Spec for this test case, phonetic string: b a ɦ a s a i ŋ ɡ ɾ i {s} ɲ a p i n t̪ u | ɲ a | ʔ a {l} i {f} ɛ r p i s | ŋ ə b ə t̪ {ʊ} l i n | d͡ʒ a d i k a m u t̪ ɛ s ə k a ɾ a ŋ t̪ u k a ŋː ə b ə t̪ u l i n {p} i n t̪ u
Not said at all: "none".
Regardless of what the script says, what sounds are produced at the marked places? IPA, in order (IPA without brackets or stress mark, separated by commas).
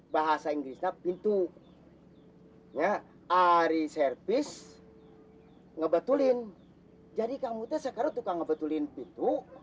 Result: s, ɾ, s, u, p